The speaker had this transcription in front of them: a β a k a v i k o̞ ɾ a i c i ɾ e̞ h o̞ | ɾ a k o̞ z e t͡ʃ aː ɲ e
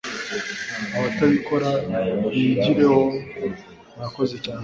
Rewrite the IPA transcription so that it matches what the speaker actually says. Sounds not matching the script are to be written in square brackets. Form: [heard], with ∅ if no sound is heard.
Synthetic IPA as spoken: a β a [t] a [β] i k o̞ ɾ a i [ɟ] i ɾ e̞ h o̞ | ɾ a k o̞ z e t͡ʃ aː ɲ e